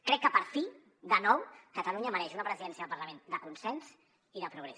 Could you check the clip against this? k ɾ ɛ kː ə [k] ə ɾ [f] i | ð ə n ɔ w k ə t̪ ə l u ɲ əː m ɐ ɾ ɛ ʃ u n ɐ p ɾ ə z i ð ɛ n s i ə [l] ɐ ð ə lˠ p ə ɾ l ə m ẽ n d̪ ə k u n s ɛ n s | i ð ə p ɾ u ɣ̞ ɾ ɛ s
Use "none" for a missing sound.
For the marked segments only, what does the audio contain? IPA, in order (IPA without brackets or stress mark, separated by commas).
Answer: p, f, none